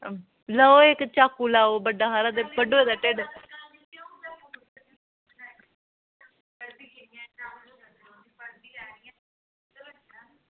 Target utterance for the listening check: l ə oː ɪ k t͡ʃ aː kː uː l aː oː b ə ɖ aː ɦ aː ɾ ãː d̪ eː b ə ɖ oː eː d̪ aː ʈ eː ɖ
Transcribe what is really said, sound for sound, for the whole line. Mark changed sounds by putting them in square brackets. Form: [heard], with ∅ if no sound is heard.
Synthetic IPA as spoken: l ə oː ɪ k t͡ʃ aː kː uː l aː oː b ə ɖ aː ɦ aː ɾ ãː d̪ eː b ə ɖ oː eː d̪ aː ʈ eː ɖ

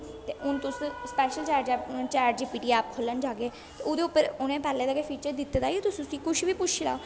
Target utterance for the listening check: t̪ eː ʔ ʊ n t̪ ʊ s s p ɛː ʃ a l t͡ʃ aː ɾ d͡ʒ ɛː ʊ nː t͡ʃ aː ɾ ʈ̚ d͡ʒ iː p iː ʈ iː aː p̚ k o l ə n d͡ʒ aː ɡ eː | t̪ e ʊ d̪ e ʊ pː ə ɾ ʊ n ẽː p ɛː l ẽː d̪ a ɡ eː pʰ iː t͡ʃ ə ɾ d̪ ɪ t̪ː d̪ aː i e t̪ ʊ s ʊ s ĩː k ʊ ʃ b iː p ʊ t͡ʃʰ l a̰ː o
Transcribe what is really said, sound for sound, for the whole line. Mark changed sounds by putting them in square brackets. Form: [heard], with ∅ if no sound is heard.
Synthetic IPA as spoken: t̪ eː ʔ ʊ n t̪ ʊ s s p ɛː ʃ [ə] l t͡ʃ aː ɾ d͡ʒ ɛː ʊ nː t͡ʃ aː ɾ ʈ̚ d͡ʒ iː p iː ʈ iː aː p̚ [kʰ] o l ə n d͡ʒ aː ɡ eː | t̪ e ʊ d̪ e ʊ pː ə ɾ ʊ n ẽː p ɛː l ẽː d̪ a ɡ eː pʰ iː t͡ʃ ə ɾ d̪ ɪ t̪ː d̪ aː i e t̪ ʊ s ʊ s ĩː k ʊ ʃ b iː p ʊ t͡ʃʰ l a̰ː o

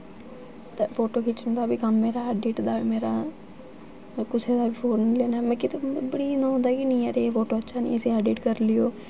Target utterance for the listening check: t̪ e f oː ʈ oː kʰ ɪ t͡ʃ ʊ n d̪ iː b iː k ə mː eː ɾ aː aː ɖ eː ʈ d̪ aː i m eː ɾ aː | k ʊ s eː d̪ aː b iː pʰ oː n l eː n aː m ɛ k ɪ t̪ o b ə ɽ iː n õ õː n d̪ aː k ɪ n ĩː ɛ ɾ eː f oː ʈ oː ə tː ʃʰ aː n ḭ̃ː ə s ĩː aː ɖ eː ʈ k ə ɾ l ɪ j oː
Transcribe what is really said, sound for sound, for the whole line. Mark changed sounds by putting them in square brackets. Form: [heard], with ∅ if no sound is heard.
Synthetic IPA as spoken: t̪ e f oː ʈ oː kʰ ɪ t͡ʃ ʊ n d̪ [aː] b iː k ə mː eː ɾ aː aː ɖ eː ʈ d̪ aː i m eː ɾ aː | k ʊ s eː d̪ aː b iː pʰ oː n l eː n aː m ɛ k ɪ t̪ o b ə ɽ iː n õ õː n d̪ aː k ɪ n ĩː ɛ ɾ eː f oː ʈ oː ə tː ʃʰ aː n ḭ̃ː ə s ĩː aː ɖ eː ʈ k ə ɾ l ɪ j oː

